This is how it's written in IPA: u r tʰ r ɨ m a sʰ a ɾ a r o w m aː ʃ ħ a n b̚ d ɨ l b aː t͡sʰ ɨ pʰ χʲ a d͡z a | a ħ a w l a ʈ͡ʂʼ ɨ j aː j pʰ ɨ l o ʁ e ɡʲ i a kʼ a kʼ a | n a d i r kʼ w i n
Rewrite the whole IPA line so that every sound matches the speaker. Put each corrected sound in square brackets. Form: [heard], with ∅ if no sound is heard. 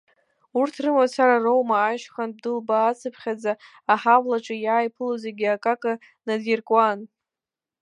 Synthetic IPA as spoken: u r tʰ r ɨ m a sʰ a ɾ a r o w m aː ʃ [χ] a n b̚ d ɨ l b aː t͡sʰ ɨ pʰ χʲ a d͡z a | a ħ a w l a ʈ͡ʂʼ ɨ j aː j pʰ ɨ l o [z] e ɡʲ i a kʼ a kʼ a | n a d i r kʼ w [a] n